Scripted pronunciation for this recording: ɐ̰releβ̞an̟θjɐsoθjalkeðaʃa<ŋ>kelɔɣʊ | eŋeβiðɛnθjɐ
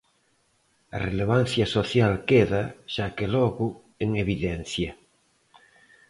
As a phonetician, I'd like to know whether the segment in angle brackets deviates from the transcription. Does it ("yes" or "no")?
yes